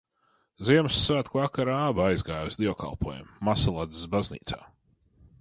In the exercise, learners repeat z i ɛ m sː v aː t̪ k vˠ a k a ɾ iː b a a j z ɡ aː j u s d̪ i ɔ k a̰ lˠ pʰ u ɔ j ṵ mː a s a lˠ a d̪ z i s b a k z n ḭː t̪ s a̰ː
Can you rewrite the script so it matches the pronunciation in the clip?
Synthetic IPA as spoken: z i ɛ m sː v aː t̪ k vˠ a k a ɾ aː b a a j z ɡ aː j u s d̪ i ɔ k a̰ lˠ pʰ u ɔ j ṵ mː a s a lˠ a d̪ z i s b a z n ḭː t̪ s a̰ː